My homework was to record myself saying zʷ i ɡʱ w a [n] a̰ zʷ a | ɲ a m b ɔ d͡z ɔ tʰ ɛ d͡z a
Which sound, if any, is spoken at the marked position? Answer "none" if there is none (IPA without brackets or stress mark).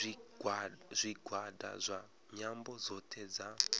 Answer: d